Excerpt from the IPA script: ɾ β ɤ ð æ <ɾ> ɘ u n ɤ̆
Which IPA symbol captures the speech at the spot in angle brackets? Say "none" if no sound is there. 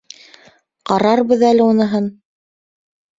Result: l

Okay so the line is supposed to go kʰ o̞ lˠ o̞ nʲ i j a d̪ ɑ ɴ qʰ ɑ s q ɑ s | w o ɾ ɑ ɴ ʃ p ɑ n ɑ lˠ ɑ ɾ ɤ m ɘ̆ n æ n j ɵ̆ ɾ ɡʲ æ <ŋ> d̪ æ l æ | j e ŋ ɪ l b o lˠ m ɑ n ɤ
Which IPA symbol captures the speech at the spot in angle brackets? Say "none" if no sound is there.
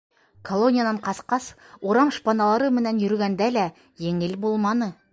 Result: n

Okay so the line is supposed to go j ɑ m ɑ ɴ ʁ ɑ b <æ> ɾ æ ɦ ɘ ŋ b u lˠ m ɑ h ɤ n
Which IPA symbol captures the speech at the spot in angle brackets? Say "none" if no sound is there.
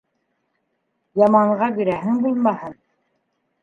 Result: i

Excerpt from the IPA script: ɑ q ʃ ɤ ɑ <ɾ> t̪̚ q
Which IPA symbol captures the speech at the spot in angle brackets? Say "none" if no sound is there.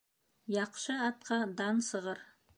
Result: none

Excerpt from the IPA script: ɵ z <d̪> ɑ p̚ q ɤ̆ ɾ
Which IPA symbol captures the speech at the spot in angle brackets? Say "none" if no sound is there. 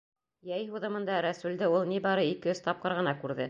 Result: t̪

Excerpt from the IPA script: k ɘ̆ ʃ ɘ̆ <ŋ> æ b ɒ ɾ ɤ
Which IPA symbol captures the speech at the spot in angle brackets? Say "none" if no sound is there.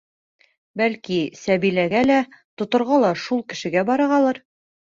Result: ɡ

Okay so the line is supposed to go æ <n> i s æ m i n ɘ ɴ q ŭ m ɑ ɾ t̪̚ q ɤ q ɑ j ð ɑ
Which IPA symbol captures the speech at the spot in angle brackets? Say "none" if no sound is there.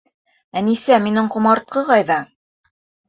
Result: n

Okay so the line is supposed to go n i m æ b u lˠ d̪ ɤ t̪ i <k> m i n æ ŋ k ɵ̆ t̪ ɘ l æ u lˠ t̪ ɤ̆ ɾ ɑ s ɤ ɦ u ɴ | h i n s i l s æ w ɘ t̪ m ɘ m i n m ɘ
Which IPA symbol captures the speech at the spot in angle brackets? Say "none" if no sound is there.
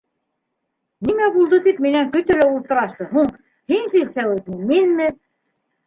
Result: p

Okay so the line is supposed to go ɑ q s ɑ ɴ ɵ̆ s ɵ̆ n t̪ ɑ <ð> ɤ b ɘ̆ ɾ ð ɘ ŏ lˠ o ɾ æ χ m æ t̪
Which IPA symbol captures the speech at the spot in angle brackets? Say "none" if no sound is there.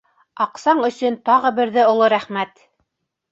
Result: ʁ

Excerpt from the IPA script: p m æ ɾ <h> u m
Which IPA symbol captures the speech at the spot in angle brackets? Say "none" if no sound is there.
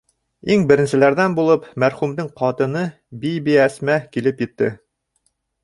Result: χ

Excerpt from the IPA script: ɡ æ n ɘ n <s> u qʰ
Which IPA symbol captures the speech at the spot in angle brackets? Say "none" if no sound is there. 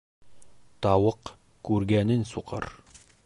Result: s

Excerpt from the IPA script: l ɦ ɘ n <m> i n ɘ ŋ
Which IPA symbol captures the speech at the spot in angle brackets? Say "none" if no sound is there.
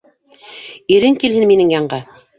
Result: m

